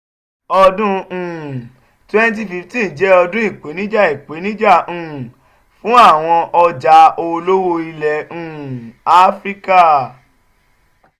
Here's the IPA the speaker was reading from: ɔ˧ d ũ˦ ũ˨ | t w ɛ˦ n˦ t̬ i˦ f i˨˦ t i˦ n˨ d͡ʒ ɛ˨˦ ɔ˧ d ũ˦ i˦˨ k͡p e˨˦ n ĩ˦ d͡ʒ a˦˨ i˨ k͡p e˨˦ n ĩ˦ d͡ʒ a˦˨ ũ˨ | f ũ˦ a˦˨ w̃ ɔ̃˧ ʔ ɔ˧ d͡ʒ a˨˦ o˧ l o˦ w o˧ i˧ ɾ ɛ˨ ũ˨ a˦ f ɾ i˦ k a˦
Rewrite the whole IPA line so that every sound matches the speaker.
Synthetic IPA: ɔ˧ d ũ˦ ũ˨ | t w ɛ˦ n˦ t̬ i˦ f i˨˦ t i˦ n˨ d͡ʒ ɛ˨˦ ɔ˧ d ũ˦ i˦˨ k͡p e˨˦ n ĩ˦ d͡ʒ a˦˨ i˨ k͡p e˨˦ n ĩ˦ d͡ʒ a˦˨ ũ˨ | f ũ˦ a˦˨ w̃ ɔ̃˧ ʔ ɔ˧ d͡ʒ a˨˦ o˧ l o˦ w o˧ i˧ l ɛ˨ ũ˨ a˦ f ɾ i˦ k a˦